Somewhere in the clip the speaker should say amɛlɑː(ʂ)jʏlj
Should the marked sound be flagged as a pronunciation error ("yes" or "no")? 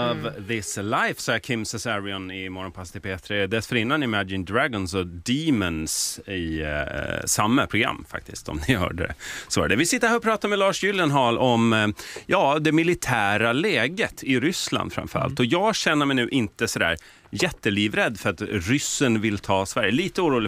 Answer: no